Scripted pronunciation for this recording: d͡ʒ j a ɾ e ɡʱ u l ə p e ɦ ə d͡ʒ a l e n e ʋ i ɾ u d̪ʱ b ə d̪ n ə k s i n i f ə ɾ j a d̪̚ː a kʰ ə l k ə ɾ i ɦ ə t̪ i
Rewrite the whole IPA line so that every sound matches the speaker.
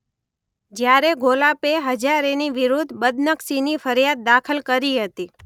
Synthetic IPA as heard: d͡ʒ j a ɾ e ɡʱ o l a p e ɦ ə d͡ʒ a ɾ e n i ʋ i ɾ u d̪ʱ b ə d̪ n ə k s i n i f ə ɾ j a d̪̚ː a kʰ ə l k ə ɾ i ɦ ə t̪ i

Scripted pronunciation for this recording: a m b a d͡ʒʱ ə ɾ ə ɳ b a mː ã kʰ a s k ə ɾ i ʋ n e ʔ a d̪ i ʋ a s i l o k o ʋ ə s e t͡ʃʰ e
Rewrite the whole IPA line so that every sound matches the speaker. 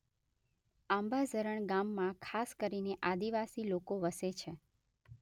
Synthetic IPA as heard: a m b a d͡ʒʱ ə ɾ ə ɳ ɡ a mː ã kʰ a s k ə ɾ i n e ʔ a d̪ i ʋ a s i l o k o ʋ ə s e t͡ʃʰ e

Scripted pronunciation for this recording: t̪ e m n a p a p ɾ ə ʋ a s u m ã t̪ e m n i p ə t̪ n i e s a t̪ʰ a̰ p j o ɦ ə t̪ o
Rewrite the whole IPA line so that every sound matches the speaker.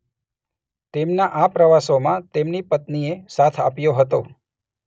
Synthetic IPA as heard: t̪ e m n a ʔ a p ɾ ə ʋ a s o m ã t̪ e m n i p ə t̪ n i e s a t̪ʰ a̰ p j o ɦ ə t̪ o

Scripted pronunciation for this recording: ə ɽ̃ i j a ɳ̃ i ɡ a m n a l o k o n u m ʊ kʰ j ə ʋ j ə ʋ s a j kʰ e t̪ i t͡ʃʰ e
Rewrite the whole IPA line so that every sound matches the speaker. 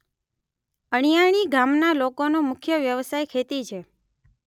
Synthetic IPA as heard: ə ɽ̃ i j a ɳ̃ i ɡ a m n a l o k o n o m ʊ kʰ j ə ʋ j ə ʋ s a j kʰ e t̪ i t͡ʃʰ e

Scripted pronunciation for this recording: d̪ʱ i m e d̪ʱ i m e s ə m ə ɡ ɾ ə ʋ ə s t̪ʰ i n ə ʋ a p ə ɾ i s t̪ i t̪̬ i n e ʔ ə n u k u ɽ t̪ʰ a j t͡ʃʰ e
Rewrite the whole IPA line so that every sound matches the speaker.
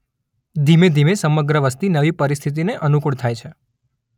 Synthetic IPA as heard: d̪ʱ i m e d̪ʱ i m e s ə m ə ɡ ɾ ə ʋ ə s t̪ i n ə ʋ i p ə ɾ i s t̪ʰ i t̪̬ i n e ʔ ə n u k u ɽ t̪ʰ a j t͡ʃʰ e

